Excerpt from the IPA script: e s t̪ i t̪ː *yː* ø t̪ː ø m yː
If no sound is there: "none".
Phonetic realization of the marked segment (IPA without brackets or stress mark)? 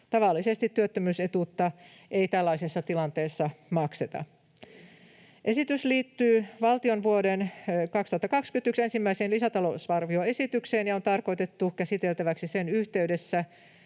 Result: y